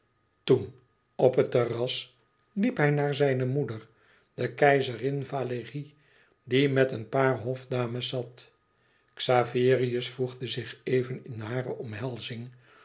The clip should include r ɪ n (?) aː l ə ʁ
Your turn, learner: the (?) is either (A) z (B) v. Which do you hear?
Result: B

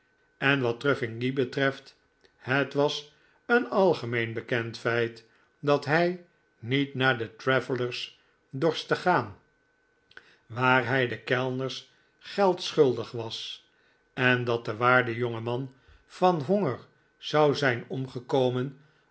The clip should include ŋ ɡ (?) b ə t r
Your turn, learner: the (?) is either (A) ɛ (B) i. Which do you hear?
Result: B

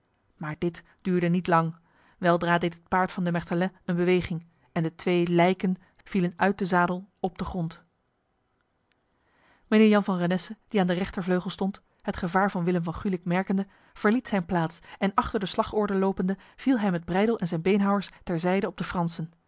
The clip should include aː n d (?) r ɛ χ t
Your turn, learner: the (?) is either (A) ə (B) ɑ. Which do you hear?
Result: A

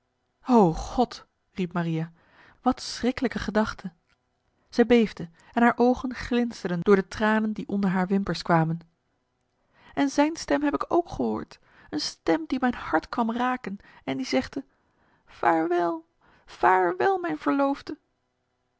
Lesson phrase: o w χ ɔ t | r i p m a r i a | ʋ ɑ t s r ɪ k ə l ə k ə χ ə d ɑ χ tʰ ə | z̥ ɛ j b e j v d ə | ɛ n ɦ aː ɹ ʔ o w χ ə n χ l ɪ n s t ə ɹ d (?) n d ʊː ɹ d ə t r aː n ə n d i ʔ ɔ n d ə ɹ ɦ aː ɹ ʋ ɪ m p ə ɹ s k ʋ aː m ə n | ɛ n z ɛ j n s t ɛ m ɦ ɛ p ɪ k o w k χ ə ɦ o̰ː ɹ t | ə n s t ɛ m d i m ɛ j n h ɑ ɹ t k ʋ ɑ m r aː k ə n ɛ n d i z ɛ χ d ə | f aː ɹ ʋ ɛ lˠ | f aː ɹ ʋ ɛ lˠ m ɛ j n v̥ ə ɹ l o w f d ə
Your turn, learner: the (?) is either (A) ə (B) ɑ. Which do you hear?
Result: A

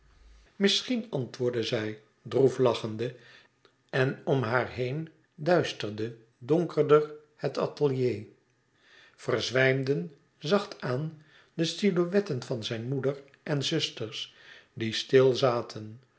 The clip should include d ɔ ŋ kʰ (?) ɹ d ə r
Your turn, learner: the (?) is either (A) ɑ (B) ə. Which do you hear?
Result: B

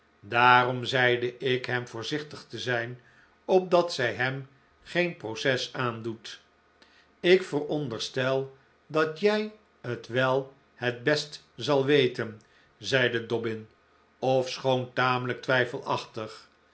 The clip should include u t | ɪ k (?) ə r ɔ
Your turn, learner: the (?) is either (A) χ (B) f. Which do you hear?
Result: B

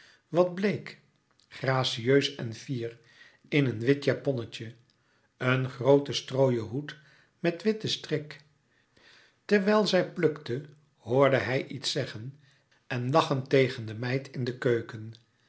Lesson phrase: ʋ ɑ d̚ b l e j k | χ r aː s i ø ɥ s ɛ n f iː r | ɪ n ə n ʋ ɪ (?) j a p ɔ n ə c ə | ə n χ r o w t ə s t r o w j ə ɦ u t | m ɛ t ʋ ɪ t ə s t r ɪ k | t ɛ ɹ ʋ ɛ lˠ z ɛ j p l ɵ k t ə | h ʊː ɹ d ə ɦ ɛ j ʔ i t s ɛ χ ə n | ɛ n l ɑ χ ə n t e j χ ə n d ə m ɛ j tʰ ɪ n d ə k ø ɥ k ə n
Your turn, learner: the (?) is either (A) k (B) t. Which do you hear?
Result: B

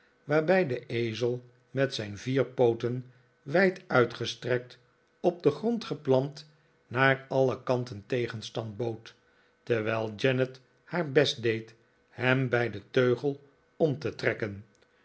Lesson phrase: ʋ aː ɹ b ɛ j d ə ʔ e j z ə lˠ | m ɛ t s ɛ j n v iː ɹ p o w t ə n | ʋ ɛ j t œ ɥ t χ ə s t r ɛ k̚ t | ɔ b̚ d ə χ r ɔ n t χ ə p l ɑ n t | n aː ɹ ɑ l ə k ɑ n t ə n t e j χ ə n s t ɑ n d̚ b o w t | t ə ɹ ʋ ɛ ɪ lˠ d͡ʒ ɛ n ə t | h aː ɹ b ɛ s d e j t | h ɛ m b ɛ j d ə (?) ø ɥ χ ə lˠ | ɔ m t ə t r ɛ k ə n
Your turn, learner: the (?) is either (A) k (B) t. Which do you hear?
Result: B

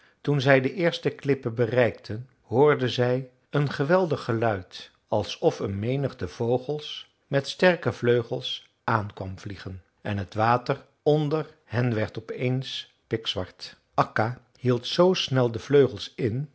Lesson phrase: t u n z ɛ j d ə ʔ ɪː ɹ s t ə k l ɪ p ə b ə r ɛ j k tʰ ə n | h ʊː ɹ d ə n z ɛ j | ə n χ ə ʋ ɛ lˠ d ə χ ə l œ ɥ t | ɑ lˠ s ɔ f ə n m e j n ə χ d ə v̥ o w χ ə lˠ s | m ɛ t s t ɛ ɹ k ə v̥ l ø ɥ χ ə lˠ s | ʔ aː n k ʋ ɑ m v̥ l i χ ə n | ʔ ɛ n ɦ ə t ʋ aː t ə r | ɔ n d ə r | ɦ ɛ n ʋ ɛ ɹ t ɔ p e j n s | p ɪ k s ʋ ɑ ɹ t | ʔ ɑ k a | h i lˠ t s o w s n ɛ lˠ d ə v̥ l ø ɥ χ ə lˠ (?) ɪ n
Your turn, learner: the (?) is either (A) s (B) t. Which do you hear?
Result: A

